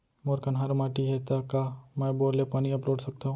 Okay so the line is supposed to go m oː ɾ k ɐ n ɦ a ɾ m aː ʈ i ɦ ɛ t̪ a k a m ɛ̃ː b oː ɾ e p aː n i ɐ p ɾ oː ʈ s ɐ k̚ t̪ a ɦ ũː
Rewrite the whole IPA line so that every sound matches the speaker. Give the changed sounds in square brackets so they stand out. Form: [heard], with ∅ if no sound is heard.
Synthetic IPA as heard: m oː ɾ k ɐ n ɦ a ɾ m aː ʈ i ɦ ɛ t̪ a k a m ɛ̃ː b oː [l] e p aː n i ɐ p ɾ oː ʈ s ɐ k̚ t̪ a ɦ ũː